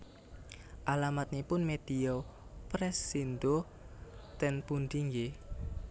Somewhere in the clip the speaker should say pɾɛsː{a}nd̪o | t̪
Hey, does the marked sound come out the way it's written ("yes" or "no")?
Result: no